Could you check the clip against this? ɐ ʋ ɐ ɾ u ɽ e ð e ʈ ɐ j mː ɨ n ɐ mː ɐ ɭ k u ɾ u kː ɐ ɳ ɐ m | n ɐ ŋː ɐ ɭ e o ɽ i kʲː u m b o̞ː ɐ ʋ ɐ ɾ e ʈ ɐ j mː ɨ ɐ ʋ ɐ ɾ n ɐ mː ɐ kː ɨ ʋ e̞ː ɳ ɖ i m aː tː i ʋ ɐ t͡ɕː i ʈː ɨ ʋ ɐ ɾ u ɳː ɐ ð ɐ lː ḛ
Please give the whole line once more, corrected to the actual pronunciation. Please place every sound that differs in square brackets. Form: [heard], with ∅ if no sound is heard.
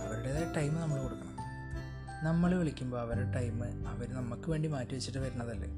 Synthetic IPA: ɐ ʋ ɐ ɾ u ɽ e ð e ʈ ɐ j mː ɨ n ɐ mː ɐ ɭ k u [ɽ] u kː ɐ ɳ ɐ m | n ɐ [mː] ɐ ɭ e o [ɭ] i kʲː u m b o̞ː ɐ ʋ ɐ ɾ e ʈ ɐ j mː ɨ ɐ ʋ ɐ ɾ n ɐ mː ɐ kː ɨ ʋ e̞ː ɳ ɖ i m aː tː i ʋ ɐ t͡ɕː i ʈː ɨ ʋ ɐ ɾ u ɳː ɐ ð ɐ lː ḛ